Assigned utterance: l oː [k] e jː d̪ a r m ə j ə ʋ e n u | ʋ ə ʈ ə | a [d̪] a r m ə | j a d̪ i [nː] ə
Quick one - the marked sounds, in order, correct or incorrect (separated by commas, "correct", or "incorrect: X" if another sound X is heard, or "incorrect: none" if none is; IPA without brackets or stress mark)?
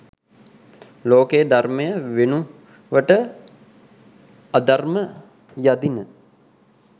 correct, correct, incorrect: n